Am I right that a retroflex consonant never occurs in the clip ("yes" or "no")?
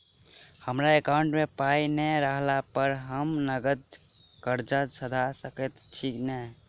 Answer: no